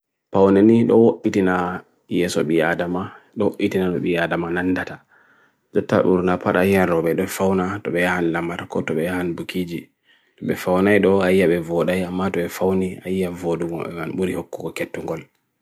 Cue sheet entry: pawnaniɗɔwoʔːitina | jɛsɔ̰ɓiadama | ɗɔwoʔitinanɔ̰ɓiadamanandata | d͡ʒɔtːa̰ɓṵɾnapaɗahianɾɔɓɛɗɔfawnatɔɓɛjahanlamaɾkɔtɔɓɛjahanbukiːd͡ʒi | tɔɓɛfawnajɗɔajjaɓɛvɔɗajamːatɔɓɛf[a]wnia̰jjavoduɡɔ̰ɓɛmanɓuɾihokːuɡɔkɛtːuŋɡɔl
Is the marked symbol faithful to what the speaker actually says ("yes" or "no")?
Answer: yes